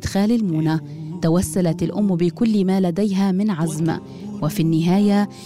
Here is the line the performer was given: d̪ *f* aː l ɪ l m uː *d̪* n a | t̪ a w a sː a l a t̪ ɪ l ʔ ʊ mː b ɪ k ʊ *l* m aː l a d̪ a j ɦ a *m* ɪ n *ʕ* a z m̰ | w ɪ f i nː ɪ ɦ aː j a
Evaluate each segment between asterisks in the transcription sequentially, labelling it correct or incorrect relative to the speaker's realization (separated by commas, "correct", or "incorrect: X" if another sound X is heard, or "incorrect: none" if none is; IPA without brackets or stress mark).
incorrect: x, incorrect: none, incorrect: lː, correct, correct